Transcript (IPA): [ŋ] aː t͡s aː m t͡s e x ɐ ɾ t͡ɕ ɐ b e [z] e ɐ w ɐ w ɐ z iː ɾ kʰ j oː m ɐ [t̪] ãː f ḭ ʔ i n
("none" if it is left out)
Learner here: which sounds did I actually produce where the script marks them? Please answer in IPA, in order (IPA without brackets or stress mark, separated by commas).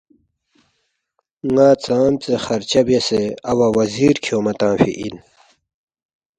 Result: ŋ, s, t̪